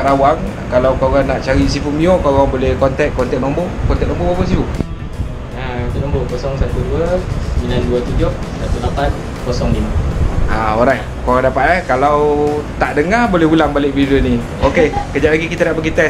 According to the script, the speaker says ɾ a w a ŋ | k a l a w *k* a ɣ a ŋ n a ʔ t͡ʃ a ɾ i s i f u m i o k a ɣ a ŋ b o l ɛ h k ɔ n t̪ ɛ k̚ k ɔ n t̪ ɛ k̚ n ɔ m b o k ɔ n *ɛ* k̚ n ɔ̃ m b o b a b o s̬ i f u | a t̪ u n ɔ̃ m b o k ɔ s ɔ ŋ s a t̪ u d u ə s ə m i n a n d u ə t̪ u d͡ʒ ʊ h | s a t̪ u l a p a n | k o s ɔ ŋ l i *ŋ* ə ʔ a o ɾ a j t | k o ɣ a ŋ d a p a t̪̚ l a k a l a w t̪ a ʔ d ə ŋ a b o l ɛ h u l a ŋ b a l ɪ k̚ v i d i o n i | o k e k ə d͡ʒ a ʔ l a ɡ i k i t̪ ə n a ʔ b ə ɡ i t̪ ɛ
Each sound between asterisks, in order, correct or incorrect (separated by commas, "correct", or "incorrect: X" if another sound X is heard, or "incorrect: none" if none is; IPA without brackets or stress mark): correct, correct, incorrect: m